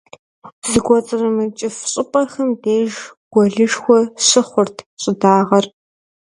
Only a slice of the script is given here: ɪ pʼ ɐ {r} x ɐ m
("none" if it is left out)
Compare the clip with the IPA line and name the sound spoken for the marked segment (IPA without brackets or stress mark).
r